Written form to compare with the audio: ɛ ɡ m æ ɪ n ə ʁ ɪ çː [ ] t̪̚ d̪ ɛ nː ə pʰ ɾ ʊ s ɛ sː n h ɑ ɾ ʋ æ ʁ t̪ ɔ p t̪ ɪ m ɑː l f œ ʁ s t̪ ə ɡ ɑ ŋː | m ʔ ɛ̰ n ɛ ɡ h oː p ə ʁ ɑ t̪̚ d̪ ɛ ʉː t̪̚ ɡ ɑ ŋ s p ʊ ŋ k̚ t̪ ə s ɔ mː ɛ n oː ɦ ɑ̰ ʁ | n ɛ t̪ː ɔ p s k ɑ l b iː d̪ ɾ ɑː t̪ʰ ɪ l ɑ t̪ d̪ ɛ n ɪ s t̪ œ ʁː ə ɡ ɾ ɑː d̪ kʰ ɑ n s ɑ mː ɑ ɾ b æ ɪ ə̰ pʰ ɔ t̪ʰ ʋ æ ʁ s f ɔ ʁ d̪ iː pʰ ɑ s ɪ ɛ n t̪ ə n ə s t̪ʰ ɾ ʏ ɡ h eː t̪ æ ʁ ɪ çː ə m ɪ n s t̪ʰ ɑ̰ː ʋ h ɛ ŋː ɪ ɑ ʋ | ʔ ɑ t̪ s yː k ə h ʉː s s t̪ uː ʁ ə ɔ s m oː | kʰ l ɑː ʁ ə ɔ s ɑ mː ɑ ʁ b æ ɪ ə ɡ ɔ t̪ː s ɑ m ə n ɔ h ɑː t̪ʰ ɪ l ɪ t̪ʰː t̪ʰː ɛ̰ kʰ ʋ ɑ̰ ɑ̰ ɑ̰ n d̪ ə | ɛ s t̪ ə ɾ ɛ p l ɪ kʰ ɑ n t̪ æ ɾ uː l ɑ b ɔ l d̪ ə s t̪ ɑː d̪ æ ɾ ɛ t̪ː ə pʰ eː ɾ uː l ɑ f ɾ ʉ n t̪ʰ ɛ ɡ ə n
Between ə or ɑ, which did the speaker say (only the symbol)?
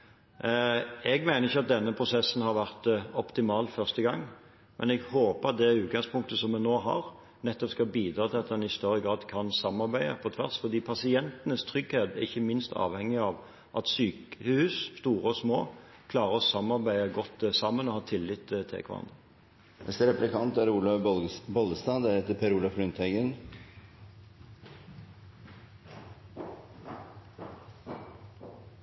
ɑ